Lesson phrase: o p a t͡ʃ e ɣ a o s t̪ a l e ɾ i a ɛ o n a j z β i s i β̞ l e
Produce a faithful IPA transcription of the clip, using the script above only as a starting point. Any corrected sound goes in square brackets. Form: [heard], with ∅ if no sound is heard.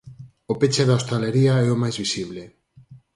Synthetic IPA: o p [e] t͡ʃ e [ð] a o s t̪ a l e ɾ i a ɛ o [m] a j z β i s i β̞ l e